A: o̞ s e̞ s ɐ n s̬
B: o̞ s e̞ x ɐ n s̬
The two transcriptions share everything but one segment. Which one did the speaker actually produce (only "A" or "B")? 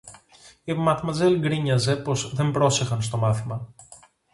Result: B